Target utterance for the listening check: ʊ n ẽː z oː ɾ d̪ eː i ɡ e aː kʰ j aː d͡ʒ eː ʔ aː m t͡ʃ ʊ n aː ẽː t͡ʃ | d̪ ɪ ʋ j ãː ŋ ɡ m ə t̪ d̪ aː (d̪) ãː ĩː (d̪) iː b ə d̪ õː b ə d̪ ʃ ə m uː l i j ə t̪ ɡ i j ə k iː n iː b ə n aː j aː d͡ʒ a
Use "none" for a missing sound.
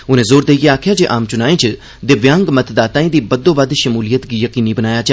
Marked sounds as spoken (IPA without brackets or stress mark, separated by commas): t̪, d̪